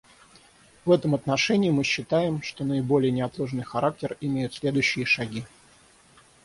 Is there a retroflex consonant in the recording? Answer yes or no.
yes